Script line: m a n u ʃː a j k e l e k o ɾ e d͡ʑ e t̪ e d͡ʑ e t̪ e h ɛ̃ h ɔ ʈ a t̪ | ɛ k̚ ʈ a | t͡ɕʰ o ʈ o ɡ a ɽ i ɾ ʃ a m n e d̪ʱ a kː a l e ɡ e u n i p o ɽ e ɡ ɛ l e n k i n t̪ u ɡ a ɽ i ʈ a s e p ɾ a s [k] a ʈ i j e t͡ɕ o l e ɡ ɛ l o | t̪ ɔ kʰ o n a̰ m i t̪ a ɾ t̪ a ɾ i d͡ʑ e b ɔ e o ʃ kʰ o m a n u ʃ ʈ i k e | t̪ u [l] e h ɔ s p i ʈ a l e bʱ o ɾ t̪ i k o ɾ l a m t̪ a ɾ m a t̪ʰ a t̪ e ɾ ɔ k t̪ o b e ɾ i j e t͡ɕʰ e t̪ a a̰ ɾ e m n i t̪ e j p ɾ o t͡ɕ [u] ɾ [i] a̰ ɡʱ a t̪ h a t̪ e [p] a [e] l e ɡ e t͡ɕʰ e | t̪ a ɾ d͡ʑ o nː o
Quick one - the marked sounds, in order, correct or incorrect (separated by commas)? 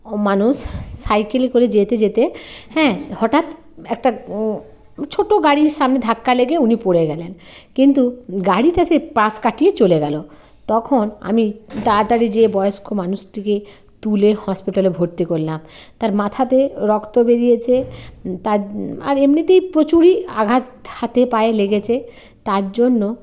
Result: correct, correct, correct, correct, correct, correct